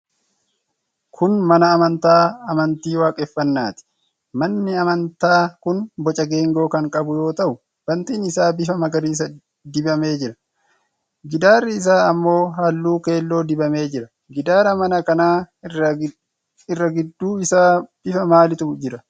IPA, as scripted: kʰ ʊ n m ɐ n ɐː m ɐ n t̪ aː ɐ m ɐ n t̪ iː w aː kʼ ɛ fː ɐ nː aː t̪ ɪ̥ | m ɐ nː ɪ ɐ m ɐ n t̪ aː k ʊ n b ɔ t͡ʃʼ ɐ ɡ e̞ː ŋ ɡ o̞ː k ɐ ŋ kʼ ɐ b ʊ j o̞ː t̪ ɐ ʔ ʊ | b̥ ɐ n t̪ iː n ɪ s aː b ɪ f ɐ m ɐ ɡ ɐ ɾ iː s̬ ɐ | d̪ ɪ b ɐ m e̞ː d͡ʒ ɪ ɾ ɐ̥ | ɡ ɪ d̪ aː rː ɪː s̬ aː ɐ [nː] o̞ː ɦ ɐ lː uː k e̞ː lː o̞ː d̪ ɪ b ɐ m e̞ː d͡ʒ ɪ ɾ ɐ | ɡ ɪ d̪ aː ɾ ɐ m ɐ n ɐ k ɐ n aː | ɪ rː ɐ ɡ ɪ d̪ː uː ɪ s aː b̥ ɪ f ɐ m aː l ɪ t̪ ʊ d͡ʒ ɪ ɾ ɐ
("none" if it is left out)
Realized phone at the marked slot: mː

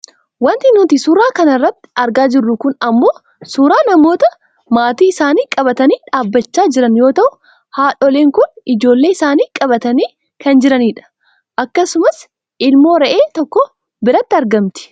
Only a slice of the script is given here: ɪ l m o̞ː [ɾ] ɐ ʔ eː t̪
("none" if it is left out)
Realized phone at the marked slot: ɾ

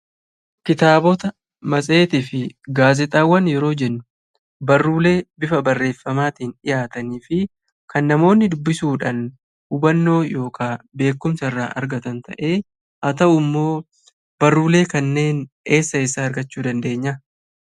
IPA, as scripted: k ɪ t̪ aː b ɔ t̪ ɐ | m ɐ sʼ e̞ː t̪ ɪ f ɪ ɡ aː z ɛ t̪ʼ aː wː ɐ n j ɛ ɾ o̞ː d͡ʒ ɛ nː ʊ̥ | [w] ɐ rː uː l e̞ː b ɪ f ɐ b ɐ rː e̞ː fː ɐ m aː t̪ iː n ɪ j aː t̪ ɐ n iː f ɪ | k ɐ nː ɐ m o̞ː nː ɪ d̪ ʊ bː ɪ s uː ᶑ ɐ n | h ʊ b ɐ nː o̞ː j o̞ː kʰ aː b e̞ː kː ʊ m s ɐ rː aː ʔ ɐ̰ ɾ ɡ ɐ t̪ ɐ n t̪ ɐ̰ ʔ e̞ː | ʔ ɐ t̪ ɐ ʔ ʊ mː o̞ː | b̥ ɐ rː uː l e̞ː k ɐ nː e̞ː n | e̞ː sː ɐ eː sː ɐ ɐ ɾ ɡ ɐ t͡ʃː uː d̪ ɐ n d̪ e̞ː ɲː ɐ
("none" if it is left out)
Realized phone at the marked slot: b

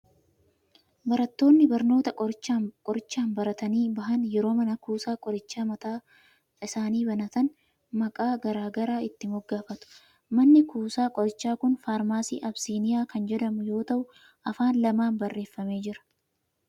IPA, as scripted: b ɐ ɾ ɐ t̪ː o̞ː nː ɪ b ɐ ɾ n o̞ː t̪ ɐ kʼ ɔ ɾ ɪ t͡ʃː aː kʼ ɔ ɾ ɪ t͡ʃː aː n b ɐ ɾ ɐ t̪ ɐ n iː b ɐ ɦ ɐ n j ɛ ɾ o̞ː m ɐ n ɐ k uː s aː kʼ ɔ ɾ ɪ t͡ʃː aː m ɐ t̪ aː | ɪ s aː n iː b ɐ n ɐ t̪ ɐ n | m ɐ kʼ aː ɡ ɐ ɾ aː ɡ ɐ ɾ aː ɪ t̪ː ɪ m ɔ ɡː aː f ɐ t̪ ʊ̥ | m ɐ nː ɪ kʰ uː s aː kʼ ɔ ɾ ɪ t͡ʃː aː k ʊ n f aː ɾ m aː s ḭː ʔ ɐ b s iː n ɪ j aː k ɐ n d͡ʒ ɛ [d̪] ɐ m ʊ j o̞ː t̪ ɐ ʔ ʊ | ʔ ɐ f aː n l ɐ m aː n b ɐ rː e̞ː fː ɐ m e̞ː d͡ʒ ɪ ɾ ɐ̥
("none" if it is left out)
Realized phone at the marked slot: d̪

